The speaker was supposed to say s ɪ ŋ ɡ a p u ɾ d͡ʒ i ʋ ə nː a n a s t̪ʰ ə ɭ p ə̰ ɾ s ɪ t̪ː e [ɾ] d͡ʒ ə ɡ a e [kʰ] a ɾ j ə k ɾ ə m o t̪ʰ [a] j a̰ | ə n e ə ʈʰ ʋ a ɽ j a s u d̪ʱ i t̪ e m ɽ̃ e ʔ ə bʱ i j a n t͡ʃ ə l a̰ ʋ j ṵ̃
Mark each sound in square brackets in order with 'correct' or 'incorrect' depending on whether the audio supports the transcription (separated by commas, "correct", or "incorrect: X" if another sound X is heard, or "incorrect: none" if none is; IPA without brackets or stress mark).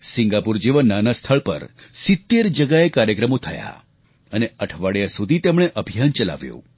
correct, incorrect: k, incorrect: ə